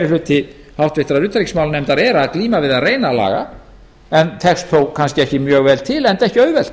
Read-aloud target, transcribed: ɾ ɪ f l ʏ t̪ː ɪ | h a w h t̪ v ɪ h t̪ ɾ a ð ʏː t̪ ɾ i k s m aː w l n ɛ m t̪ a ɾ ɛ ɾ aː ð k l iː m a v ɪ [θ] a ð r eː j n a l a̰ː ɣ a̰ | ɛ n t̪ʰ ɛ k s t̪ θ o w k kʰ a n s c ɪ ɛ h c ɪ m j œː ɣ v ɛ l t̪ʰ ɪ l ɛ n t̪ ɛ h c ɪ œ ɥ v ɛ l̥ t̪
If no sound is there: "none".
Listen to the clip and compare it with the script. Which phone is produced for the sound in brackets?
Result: ð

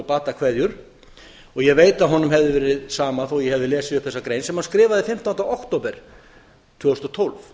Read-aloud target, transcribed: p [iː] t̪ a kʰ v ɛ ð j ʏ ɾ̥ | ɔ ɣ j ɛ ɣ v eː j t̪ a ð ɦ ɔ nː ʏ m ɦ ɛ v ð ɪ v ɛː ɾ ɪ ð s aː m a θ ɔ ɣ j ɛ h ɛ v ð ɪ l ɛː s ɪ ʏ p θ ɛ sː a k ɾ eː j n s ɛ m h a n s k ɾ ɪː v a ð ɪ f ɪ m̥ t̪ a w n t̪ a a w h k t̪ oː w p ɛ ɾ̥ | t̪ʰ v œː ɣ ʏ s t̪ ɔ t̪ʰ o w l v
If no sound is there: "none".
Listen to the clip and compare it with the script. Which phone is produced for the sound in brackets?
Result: aː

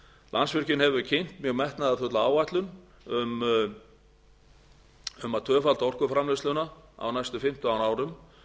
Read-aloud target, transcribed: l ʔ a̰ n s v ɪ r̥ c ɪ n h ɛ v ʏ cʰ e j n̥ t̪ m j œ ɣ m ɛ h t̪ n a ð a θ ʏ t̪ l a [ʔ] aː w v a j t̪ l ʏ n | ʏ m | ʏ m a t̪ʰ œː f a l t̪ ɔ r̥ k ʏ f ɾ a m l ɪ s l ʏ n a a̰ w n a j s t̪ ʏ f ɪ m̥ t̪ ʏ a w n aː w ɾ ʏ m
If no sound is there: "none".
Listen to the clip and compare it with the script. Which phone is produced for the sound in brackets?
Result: none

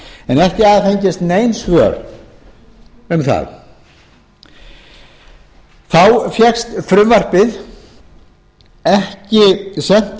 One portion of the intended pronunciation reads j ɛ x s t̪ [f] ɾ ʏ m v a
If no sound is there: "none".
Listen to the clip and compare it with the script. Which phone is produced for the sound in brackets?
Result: f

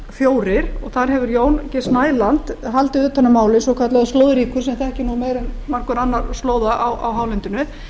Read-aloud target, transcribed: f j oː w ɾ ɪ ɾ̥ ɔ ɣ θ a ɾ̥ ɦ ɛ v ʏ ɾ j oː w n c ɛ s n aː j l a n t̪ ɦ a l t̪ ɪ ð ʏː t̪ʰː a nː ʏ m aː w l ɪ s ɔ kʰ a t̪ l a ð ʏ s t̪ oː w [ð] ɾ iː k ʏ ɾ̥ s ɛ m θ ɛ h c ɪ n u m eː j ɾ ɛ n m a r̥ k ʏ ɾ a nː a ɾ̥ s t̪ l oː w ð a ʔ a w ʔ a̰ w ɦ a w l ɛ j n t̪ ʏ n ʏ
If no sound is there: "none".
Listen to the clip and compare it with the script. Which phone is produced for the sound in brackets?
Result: ð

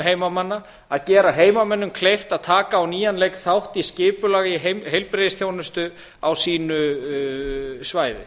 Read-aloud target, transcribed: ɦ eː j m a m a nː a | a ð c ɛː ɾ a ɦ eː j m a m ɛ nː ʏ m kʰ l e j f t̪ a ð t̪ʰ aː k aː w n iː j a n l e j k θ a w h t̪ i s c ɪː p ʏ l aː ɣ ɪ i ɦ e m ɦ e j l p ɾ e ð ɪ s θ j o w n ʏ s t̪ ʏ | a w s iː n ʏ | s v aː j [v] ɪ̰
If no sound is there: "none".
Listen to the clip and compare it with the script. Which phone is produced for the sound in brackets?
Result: ð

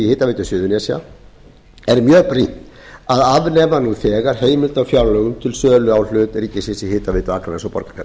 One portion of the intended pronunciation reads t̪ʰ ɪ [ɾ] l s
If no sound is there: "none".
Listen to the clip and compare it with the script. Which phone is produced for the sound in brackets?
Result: none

